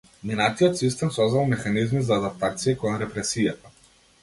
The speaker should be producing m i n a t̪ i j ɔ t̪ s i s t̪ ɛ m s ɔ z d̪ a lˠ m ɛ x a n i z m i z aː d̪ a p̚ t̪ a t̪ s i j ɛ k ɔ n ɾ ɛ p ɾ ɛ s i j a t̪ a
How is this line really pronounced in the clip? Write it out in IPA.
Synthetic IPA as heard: m i n a t̪ i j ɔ t̪ s i s t̪ ɛ m s ɔ z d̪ a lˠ m ɛ x a n i z m i z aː d̪ a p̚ t̪ a t̪ s i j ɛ k ɔ n ɾ ɛ p ɾ ɛ s i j a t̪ a

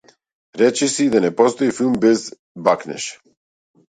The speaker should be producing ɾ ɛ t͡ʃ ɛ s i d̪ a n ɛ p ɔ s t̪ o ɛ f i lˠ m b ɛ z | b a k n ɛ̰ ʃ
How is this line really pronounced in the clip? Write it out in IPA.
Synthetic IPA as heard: ɾ ɛ t͡ʃ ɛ s i d̪ a n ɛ p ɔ s t̪ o i f i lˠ m b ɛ z | b a k n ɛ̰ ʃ

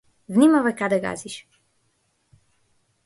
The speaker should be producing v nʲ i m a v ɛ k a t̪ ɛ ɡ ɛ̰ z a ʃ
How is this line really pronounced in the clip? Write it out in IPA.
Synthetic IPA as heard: v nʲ i m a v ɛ k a d̪ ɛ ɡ a̰ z i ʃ

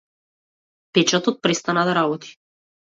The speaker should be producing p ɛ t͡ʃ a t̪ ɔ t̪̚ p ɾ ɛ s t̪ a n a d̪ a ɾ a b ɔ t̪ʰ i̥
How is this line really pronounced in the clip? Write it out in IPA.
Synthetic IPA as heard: p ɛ t͡ʃ a t̪ ɔ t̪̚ p ɾ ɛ s t̪ a n a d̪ a ɾ a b ɔ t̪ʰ i̥

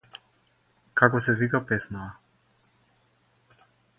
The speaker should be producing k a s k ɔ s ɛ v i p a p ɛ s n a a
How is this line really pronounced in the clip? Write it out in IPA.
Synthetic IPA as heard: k a k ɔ s ɛ v i k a p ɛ s n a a

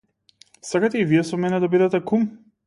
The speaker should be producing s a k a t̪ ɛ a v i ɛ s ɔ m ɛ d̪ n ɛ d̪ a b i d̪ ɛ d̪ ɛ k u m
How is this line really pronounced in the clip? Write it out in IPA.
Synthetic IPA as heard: s a k a t̪ ɛ i v i ɛ s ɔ m ɛ n ɛ d̪ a b i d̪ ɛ t̪ ɛ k u m

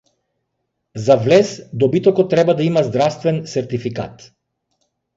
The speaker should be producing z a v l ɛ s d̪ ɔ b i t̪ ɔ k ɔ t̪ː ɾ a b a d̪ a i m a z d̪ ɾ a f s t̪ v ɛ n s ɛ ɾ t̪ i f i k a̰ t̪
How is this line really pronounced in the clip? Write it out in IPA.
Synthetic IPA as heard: z a v l ɛ s d̪ ɔ b i t̪ ɔ k ɔ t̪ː ɾ ɛ b a d̪ a i m a z d̪ ɾ a f s t̪ v ɛ n s ɛ ɾ t̪ i f i k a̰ t̪

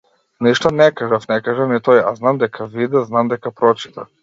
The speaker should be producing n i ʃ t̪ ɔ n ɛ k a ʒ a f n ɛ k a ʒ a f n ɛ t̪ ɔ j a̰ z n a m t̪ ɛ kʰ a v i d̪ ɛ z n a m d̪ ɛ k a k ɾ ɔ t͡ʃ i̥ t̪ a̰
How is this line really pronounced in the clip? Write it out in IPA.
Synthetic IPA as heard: n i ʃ t̪ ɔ n ɛ k a ʒ a f n ɛ k a ʒ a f n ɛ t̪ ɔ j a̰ z n a m d̪ ɛ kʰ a v i d̪ ɛ z n a m d̪ ɛ k a p ɾ ɔ t͡ʃ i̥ t̪ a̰

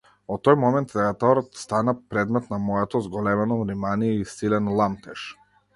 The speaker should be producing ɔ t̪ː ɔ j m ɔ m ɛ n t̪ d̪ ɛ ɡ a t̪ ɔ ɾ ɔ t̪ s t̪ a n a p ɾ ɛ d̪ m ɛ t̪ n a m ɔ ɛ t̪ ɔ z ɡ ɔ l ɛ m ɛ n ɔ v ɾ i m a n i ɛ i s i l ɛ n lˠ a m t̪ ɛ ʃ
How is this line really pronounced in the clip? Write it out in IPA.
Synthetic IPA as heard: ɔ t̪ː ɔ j m ɔ m ɛ n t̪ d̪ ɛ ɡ a t̪ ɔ ɾ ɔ t̪ s t̪ a n a p ɾ ɛ d̪ m ɛ t̪ n a m ɔ ɛ t̪ ɔ z ɡ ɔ l ɛ m ɛ n ɔ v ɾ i m a n i ɛ i s i l ɛ n lˠ a m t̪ ɛ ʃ

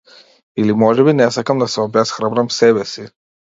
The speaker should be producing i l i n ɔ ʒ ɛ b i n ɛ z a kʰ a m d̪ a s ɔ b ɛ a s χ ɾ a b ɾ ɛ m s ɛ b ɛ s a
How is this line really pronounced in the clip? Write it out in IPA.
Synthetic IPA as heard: i l i m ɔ ʒ ɛ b i n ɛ s a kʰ a m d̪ a s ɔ b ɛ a s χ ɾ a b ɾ a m s ɛ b ɛ s i

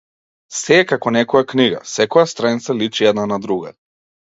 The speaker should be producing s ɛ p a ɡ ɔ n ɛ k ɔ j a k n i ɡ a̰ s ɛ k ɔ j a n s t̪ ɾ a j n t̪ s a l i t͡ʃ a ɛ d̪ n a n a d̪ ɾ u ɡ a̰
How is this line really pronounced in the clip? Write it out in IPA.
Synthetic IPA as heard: s ɛ k a k ɔ n ɛ k ɔ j a k n i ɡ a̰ s ɛ k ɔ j a s t̪ ɾ a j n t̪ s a l i t͡ʃ i ɛ d̪ n a n a d̪ ɾ u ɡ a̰

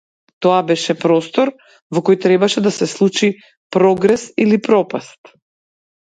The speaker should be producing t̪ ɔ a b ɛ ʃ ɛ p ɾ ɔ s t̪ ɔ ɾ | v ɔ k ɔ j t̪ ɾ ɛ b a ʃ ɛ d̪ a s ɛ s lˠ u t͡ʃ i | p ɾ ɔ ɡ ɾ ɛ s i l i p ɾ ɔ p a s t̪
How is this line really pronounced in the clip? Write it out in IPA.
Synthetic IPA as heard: t̪ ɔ a b ɛ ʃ ɛ p ɾ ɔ s t̪ ɔ ɾ | v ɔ k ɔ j t̪ ɾ ɛ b a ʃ ɛ d̪ a s ɛ s lˠ u t͡ʃ i | p ɾ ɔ ɡ ɾ ɛ s i l i p ɾ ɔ p a s t̪

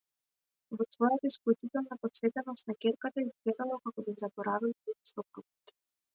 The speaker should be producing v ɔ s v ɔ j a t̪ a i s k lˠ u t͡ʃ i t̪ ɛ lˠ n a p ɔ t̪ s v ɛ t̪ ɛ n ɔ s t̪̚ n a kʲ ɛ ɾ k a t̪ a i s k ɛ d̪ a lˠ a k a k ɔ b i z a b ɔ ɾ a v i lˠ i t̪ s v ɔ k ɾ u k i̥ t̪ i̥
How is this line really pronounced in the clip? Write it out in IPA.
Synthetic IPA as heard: v ɔ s v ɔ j a t̪ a i s k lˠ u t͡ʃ i t̪ ɛ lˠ n a p ɔ t̪ s v ɛ t̪ ɛ n ɔ s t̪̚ n a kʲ ɛ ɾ k a t̪ a i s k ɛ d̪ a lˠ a k a k ɔ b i z a b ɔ ɾ a v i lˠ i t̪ s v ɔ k ɾ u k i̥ t̪ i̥

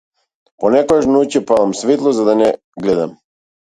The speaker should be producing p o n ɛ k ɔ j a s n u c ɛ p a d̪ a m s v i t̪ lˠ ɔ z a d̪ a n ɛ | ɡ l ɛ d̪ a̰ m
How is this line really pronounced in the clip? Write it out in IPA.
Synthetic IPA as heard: p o n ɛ k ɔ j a ʃ n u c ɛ p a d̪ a m s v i t̪ lˠ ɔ z a d̪ a n ɛ | ɡ l ɛ d̪ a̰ m

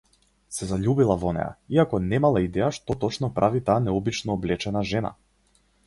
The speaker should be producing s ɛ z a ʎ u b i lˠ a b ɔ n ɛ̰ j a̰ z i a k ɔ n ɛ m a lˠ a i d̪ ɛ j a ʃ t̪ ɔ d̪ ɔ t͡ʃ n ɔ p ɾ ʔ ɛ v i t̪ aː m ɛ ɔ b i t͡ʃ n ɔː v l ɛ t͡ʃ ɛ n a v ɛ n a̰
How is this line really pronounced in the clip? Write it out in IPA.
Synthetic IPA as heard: s ɛ z a ʎ u b i lˠ a v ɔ n ɛ̰ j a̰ i a k ɔ n ɛ m a lˠ a i d̪ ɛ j a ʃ t̪ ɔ t̪ ɔ t͡ʃ n ɔ p ɾ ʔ a v i t̪ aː n ɛ ɔ b i t͡ʃ n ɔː b l ɛ t͡ʃ ɛ n a ʒ ɛ n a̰

